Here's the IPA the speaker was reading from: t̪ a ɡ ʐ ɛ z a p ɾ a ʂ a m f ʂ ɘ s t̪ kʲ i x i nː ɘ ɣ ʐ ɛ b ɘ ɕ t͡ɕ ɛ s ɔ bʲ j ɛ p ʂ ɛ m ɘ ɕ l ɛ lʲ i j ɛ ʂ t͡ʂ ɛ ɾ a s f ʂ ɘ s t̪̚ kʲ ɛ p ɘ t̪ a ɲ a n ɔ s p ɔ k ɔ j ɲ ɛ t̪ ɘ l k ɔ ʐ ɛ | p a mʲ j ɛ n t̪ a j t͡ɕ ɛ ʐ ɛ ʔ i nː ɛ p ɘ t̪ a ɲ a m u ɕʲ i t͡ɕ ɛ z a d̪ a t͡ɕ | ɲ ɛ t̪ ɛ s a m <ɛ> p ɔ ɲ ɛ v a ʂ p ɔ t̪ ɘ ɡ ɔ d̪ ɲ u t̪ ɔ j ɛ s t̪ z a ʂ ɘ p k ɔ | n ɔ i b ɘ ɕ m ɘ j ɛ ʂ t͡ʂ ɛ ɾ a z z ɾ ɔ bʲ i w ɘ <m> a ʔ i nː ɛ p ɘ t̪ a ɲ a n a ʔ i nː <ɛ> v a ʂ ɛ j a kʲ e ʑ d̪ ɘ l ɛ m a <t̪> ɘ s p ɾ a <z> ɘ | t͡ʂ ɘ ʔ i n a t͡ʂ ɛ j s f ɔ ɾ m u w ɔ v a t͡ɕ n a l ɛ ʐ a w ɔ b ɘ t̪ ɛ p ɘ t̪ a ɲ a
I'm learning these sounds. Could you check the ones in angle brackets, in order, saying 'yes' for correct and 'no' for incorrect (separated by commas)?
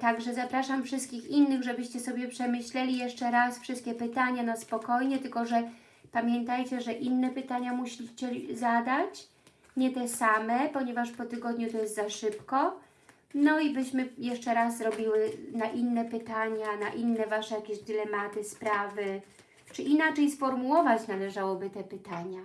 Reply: yes, no, yes, yes, no